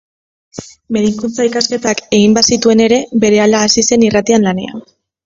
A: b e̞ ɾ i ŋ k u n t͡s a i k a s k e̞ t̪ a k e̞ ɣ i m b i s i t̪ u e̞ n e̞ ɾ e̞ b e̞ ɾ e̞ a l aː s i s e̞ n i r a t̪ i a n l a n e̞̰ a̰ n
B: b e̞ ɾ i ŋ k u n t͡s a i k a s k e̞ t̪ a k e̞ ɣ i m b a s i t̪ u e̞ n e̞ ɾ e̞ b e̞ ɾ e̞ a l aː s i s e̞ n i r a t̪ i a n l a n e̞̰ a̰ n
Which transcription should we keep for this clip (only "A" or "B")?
B